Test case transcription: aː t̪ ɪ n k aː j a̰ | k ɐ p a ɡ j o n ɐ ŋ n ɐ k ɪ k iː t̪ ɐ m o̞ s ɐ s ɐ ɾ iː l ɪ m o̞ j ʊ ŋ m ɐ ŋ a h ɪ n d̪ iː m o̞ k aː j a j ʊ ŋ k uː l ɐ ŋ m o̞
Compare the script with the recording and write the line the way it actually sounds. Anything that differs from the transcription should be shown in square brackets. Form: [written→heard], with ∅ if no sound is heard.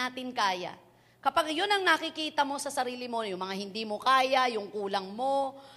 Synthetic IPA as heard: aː t̪ ɪ n k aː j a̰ | k ɐ p a ɡ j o n ɐ ŋ n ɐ k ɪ k iː t̪ ɐ m o̞ s ɐ s ɐ ɾ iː l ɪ m o̞ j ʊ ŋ m ɐ ŋ a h ɪ n d̪ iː m o̞ k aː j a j ʊ ŋ k uː l ɐ ŋ m o̞